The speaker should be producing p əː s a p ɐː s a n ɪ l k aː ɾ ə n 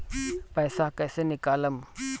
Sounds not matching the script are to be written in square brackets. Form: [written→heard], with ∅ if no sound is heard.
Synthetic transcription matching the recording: p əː s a [p→k] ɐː s [a→e] n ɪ [l→∅] k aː [ɾ→l] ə [n→m]